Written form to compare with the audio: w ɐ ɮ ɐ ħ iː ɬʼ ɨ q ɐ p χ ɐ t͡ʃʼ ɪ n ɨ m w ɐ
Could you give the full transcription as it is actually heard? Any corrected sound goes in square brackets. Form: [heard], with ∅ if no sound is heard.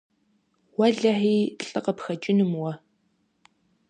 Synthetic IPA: w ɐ ɮ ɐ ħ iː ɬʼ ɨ q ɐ p [x] ɐ t͡ʃʼ ɪ n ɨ m w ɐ